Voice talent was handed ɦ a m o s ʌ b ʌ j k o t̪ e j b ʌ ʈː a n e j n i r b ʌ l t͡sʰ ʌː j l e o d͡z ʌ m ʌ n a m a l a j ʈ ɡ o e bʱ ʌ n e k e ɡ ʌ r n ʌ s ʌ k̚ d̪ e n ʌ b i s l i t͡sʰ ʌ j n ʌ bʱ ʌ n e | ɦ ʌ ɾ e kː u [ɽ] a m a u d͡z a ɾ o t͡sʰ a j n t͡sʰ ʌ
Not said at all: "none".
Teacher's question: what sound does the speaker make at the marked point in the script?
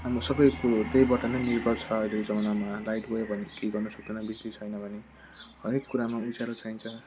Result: ɾ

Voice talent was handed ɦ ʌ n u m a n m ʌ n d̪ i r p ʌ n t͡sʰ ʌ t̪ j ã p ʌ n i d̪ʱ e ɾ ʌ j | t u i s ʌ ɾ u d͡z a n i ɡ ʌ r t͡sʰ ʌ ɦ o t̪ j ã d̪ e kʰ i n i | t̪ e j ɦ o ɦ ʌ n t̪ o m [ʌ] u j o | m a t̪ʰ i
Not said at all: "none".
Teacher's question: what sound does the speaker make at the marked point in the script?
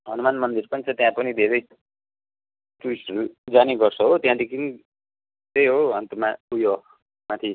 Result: a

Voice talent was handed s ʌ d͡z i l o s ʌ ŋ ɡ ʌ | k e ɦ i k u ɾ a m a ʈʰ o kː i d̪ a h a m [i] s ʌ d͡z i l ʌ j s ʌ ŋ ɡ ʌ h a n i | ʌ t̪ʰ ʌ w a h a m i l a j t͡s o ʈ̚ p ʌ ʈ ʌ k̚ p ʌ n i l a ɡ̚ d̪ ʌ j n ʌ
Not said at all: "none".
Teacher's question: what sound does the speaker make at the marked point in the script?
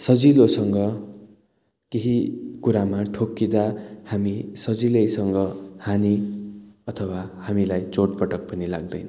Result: i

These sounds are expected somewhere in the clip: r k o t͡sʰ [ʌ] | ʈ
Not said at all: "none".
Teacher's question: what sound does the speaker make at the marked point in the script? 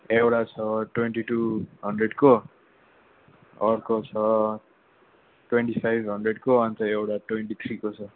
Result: ʌ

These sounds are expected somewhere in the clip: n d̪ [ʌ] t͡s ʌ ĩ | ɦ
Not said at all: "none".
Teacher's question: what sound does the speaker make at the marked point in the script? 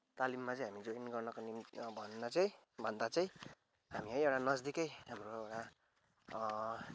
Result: a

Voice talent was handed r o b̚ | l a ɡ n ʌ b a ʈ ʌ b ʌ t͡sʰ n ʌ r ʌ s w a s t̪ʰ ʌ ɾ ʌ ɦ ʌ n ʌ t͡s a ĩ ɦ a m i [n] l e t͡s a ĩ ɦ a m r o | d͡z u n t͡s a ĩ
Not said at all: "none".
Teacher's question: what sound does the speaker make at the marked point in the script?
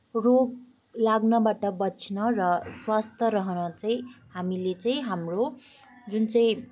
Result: none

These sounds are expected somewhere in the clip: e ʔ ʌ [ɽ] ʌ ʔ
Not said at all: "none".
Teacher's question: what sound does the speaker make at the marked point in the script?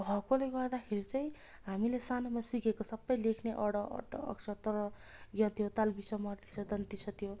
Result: ɽ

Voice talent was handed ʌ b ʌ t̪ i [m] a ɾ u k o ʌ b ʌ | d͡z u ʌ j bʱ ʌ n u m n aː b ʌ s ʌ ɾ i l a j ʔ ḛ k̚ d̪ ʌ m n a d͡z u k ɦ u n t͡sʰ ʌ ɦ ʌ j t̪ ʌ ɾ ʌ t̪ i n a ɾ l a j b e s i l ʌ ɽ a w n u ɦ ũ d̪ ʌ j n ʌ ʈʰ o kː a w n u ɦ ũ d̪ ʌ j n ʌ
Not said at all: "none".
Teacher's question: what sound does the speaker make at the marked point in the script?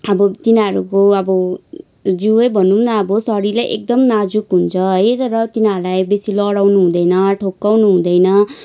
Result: n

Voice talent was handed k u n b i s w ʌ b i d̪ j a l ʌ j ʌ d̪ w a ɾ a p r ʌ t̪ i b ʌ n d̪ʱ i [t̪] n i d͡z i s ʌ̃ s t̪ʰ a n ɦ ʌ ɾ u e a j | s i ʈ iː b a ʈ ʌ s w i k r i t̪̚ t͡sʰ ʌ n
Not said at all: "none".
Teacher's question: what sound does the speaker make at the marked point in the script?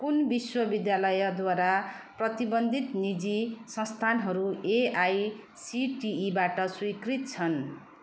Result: t̪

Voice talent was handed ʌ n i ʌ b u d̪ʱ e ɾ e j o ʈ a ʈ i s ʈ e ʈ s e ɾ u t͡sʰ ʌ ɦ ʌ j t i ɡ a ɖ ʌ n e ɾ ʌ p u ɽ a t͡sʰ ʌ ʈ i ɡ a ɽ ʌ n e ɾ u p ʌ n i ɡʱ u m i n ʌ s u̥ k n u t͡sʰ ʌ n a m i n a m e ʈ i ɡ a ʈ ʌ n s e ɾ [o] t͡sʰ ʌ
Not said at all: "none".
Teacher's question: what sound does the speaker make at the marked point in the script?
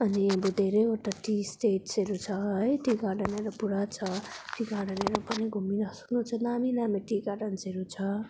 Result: u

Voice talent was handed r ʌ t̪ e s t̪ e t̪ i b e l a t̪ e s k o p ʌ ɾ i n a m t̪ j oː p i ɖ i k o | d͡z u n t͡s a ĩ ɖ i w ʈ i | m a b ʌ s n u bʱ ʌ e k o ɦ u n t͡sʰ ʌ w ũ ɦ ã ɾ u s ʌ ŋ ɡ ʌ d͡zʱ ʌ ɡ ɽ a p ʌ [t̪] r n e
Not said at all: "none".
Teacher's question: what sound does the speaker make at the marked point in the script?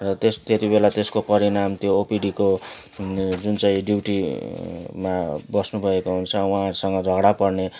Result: none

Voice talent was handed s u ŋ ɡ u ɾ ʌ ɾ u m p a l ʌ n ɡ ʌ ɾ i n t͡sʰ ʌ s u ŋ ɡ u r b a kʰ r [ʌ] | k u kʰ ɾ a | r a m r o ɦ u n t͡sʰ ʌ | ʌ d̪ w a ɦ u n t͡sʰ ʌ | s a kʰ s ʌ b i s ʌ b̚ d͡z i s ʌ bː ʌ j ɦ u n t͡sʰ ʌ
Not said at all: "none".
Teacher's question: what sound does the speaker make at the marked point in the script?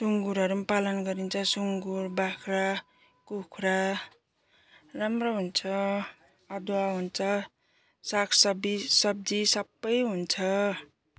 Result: a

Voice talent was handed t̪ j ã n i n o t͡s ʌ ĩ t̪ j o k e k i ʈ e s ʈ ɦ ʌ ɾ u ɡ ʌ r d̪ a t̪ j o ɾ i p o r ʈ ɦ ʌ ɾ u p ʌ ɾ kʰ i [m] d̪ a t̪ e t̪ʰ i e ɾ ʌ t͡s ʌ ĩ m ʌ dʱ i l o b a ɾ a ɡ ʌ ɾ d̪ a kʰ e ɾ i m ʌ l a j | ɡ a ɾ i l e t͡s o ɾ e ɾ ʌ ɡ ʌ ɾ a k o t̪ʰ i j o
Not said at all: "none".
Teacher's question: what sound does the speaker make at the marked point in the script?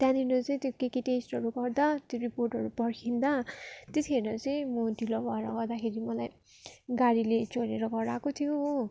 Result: n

